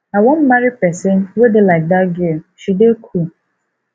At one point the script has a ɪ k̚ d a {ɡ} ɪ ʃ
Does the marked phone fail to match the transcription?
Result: no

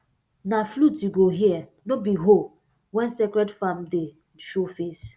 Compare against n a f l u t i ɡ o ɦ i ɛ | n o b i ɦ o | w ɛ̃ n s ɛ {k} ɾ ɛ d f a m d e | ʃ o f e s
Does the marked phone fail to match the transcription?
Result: no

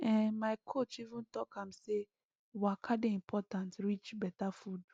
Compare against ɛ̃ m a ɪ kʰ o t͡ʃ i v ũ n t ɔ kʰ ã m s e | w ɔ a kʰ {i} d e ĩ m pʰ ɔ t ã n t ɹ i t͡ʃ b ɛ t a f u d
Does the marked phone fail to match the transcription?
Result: yes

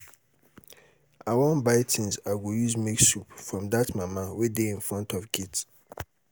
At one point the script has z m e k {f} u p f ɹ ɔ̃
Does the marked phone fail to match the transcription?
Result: yes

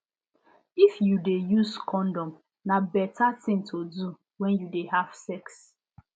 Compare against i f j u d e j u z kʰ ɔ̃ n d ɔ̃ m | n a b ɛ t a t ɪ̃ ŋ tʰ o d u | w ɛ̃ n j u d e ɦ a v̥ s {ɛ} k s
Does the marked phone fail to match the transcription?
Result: no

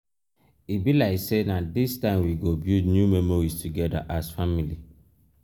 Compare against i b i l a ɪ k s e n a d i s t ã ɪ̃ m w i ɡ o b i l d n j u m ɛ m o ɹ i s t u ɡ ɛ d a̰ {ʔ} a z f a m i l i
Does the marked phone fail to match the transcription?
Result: no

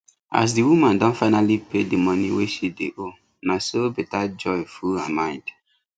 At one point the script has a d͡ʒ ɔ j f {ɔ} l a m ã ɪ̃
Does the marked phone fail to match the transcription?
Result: yes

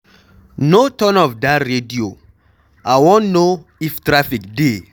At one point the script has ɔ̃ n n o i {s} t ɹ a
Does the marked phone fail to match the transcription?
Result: yes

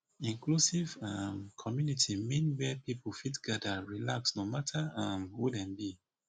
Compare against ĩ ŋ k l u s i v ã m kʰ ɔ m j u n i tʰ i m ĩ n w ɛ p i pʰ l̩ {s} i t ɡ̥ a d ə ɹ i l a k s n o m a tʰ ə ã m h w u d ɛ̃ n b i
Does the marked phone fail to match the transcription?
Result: yes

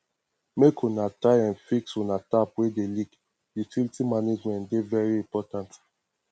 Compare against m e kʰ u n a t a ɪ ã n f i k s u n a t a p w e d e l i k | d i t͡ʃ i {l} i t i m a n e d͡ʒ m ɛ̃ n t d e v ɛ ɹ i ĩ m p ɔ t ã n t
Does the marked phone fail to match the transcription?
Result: no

